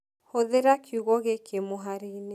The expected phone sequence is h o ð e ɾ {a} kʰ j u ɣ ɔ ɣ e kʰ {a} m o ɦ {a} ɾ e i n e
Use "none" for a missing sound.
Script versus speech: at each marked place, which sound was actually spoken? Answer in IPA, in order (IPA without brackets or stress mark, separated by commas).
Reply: a, e, a